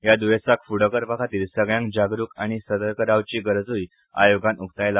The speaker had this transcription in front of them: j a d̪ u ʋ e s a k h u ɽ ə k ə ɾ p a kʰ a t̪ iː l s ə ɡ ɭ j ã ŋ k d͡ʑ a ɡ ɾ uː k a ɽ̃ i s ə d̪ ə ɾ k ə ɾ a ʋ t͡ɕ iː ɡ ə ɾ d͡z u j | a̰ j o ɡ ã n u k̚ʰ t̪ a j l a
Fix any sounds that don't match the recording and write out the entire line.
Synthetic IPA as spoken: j a d̪ u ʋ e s a k f u ɽ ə k ə ɾ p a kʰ a t̪ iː l s ə ɡ ɭ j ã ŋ k d͡ʑ a ɡ ɾ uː k a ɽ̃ i s ə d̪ ə ɾ k ə ɾ a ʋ t͡ɕ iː ɡ ə ɾ d͡z u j | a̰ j o ɡ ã n u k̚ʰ t̪ a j l a